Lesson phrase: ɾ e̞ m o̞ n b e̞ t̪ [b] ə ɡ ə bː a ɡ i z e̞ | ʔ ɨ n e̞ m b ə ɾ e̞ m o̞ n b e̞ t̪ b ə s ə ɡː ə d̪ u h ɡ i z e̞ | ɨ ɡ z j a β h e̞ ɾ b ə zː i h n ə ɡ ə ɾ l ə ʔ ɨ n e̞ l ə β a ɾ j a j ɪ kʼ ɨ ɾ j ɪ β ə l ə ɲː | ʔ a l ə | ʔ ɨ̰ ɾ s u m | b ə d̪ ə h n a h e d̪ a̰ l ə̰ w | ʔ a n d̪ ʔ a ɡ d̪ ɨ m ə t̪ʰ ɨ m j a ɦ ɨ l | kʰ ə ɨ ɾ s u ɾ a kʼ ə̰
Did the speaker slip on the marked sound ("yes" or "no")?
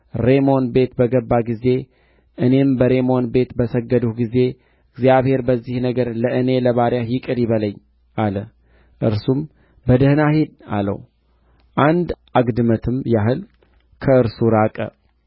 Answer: no